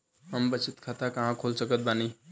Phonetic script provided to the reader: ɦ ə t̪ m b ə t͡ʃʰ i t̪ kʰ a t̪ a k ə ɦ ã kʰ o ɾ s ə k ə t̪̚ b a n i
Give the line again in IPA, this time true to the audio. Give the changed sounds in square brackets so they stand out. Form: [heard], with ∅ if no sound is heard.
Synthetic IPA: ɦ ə [∅] m b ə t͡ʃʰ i t̪ kʰ a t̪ a k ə ɦ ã kʰ o [l] s ə k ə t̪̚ b a n i